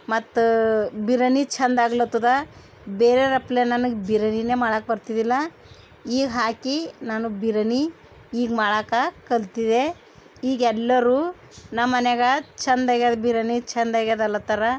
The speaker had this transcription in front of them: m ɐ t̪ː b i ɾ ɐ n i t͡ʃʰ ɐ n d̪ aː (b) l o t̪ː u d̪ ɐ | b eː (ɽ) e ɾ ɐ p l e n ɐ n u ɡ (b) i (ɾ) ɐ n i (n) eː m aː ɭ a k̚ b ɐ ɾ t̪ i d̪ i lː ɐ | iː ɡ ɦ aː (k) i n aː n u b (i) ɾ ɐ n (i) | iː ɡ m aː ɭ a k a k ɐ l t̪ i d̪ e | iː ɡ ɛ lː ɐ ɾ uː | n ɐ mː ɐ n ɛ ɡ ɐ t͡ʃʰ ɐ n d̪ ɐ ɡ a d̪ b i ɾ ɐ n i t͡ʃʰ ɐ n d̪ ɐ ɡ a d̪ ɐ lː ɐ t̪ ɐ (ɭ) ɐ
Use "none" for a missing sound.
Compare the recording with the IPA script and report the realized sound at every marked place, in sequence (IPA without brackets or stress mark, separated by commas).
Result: ɡ, ɾ, b, ɾ, n, k, i, i, ɾ